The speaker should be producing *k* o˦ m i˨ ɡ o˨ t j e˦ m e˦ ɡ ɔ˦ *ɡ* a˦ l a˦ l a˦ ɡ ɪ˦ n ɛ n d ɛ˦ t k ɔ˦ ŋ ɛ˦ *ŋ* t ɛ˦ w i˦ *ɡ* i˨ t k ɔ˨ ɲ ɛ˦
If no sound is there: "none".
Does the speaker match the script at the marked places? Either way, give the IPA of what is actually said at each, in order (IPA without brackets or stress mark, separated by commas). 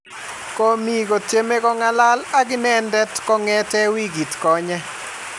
k, ŋ, none, ɡ